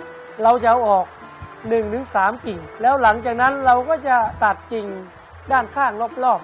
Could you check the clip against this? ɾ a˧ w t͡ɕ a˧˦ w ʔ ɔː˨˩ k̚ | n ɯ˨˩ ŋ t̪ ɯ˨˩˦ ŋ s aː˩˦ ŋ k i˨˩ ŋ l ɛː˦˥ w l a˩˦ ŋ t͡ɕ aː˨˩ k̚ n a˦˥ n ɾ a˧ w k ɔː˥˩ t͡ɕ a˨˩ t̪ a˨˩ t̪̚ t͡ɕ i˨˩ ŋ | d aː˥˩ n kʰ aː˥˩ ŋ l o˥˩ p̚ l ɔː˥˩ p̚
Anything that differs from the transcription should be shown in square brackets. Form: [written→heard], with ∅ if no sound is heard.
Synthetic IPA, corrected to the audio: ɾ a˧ w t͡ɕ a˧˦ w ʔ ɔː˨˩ k̚ | n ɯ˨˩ ŋ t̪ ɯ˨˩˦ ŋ s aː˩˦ [ŋ→m] k i˨˩ ŋ l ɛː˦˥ w l a˩˦ ŋ t͡ɕ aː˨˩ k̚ n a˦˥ n ɾ a˧ w k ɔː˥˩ t͡ɕ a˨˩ t̪ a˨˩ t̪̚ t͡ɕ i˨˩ ŋ | d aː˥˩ n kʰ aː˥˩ ŋ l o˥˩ p̚ l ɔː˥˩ p̚